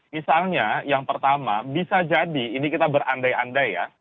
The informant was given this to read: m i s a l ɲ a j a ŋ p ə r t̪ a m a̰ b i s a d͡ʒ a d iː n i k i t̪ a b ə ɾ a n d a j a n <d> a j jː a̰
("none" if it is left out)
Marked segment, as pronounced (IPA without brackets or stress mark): d